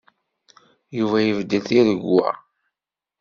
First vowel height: high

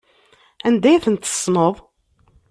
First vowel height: low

